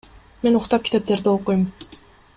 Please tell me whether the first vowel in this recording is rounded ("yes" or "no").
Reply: no